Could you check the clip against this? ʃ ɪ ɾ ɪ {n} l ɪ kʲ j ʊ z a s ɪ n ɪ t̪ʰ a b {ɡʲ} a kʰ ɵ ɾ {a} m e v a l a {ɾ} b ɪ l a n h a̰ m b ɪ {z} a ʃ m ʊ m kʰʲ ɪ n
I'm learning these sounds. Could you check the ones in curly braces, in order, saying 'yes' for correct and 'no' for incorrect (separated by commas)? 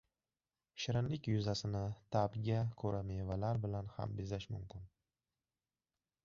yes, yes, yes, yes, yes